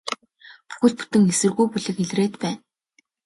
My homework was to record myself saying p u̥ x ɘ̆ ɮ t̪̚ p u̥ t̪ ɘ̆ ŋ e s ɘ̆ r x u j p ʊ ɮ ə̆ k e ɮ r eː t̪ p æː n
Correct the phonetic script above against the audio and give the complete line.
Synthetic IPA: p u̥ x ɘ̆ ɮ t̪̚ p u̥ t̪ ɘ̆ ŋ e s ɘ̆ r ɣ u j p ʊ ɮ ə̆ k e ɮ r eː t̪ p æː n